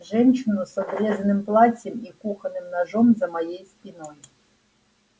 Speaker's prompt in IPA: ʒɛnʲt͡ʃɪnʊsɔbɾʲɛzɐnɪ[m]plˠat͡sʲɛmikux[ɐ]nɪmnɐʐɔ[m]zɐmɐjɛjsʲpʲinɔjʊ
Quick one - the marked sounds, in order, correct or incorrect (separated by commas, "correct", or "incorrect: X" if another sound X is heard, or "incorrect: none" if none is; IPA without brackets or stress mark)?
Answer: correct, correct, correct